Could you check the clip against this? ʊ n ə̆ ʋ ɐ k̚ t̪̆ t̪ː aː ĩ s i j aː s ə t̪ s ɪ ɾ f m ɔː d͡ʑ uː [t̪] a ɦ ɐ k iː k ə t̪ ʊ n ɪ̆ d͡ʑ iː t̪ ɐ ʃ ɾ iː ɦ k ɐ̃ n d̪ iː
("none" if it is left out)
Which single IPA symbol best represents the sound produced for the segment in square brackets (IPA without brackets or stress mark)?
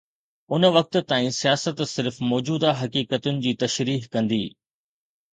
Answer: d̪